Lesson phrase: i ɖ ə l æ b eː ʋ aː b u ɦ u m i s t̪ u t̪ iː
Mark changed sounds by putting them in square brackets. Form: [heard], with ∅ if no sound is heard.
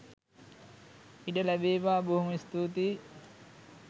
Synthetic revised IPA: i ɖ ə l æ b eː ʋ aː b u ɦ u m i s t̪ u t̪ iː